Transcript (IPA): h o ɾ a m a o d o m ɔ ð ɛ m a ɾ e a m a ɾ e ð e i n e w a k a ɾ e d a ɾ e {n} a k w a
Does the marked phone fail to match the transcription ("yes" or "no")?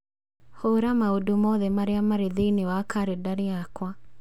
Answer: yes